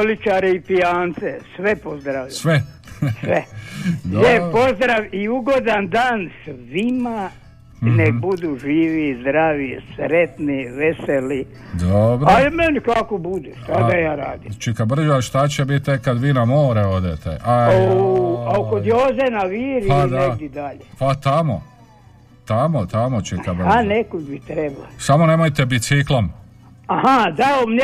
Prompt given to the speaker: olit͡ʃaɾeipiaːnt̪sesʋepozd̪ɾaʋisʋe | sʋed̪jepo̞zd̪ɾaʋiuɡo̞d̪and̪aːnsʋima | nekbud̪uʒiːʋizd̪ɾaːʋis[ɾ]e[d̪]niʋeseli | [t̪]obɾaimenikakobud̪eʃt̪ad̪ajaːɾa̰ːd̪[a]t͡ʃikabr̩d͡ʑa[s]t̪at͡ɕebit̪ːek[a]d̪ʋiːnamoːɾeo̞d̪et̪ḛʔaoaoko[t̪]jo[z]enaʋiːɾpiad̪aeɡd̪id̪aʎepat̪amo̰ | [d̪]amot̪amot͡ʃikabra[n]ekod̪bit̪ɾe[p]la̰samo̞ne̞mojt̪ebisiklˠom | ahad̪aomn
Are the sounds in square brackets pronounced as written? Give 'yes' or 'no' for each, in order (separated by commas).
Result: yes, no, no, no, no, yes, no, yes, no, yes, no